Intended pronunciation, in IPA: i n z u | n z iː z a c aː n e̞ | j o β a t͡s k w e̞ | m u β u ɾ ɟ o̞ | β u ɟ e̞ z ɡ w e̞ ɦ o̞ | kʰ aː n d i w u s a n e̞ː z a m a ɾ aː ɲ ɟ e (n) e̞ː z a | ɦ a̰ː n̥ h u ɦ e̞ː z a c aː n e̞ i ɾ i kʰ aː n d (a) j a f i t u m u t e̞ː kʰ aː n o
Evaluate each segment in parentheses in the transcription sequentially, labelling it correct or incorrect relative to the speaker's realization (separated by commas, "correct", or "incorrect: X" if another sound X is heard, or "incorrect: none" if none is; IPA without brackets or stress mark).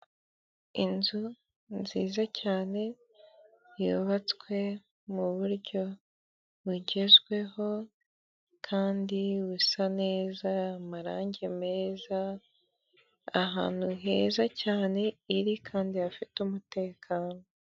incorrect: m, incorrect: i